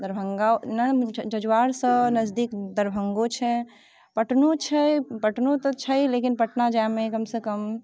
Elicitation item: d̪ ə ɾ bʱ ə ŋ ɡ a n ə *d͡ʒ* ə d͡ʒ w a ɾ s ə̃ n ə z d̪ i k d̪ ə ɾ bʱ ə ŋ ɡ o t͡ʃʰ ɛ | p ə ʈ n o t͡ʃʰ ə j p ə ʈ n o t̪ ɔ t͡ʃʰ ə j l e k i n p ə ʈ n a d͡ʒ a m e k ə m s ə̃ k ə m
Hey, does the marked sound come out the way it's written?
yes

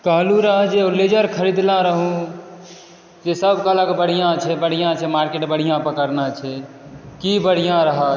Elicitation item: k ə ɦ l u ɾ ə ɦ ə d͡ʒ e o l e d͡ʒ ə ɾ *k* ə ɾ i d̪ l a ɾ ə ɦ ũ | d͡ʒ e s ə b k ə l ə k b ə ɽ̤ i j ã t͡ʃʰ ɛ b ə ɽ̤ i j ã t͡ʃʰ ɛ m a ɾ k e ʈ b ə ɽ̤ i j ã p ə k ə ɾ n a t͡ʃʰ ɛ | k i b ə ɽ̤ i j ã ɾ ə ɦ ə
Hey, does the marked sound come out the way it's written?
no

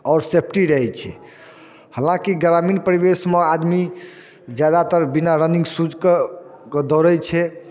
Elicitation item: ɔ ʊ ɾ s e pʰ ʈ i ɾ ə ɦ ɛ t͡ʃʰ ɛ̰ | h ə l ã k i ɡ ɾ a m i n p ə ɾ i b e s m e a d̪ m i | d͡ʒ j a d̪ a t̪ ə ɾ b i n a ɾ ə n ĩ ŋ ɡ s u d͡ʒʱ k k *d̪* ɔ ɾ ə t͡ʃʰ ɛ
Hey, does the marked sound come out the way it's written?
yes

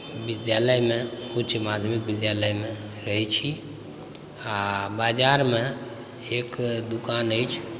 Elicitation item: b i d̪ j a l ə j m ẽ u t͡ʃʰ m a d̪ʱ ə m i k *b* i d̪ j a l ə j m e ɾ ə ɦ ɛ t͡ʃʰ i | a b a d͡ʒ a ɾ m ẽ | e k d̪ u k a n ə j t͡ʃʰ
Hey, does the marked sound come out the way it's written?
yes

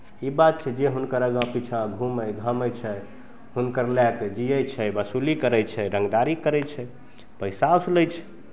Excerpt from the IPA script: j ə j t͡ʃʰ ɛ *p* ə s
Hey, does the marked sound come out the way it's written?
no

